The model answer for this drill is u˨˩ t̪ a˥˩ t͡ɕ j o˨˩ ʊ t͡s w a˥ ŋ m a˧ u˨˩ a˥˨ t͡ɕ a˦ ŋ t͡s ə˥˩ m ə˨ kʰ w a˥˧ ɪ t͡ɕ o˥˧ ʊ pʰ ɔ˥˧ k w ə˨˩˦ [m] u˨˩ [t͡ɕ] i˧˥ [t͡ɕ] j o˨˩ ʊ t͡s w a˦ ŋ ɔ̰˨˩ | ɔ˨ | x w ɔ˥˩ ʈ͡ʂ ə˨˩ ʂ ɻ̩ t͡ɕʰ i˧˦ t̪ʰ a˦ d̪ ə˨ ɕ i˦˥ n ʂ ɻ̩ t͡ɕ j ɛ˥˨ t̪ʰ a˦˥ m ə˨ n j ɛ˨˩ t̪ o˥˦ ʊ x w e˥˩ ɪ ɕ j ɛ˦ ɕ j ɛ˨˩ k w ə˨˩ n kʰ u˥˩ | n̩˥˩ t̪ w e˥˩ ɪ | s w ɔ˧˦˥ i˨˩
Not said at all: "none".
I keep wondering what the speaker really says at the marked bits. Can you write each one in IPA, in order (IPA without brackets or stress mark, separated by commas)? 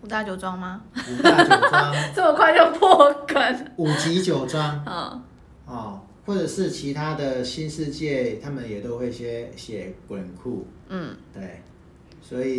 n, t͡ɕ, t͡ɕ